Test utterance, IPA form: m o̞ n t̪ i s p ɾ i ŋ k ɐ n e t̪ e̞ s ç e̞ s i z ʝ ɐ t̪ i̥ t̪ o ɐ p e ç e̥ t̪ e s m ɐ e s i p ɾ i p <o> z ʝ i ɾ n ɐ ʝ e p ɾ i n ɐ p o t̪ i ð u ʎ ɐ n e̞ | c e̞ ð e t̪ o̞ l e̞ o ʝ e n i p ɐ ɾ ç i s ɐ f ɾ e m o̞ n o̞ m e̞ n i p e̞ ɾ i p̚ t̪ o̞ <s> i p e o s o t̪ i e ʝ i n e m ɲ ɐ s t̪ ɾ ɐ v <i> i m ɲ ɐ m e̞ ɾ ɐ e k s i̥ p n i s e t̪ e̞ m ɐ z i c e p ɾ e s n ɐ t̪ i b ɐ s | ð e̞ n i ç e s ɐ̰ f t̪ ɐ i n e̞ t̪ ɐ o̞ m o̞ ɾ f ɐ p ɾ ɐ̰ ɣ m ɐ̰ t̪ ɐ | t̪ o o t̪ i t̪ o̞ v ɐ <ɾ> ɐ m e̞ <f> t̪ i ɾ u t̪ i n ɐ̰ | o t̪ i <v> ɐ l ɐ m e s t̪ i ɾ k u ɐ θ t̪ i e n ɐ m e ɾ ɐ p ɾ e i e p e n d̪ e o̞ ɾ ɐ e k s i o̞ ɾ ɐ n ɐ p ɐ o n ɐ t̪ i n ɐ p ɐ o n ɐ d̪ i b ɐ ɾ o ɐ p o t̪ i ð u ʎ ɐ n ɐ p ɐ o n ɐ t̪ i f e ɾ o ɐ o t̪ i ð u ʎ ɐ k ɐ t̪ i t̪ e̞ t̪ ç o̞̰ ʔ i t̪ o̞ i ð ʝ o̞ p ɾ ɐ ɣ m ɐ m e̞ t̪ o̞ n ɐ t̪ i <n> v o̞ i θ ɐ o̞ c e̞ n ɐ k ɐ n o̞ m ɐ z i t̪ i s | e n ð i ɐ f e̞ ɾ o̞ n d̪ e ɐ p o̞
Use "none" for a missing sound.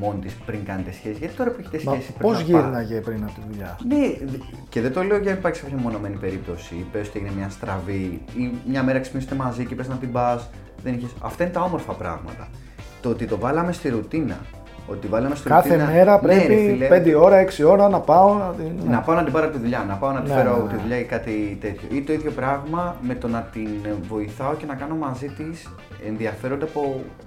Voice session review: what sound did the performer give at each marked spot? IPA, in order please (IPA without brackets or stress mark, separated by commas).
o, s, i, l, s, v, n